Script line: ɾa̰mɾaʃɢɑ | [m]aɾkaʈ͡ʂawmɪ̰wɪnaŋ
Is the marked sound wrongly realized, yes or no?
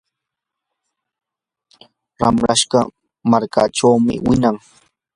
no